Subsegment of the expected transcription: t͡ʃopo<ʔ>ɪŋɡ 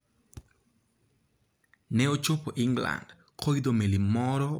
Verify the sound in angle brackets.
correct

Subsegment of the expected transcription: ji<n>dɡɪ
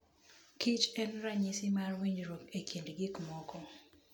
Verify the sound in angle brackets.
correct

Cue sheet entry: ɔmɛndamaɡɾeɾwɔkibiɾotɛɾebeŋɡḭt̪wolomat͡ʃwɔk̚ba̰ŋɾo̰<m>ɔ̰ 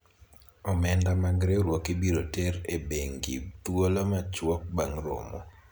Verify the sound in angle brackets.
correct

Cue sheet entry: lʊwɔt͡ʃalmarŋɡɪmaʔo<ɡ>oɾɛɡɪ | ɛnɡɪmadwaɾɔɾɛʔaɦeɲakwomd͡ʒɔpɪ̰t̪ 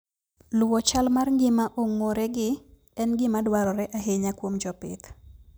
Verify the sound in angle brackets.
incorrect: ŋ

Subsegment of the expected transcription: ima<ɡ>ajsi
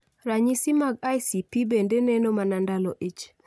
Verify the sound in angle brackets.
correct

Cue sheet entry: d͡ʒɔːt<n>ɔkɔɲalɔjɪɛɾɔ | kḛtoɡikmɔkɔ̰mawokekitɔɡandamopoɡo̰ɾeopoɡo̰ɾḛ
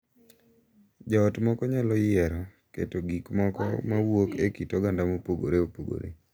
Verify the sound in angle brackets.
incorrect: m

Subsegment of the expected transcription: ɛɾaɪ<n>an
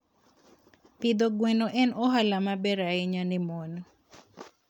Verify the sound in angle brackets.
incorrect: ɲ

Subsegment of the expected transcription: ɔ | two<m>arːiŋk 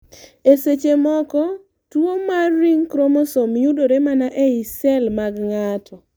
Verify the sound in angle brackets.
correct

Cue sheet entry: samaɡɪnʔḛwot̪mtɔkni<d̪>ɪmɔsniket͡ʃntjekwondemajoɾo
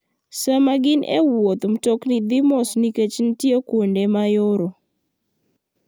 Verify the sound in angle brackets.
correct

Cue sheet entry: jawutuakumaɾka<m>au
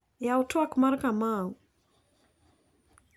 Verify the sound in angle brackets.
correct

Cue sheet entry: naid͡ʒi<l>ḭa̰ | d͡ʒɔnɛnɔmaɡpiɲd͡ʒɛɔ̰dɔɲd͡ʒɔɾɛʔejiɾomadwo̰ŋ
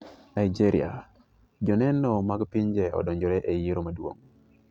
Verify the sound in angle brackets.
incorrect: ɾ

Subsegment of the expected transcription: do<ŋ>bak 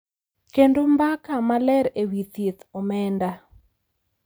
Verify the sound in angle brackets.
incorrect: m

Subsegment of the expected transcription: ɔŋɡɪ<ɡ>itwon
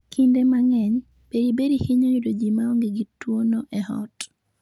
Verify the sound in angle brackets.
correct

